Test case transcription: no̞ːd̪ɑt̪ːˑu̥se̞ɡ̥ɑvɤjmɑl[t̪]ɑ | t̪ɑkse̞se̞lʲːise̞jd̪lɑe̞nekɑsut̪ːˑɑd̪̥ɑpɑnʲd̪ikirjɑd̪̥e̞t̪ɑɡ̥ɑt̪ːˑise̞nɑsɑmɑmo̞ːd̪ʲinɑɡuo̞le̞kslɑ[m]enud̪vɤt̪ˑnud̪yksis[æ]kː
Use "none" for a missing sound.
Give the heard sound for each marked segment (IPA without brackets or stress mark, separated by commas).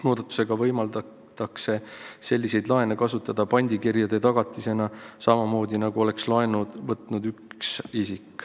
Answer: d̪, none, i